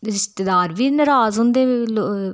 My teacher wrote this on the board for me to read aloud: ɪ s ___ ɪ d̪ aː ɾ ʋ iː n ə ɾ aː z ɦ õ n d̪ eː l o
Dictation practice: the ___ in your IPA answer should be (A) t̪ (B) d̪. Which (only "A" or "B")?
A